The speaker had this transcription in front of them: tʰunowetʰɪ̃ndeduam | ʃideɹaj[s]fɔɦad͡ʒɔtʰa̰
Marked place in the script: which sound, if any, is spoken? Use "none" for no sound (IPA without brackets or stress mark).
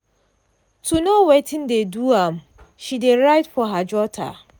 t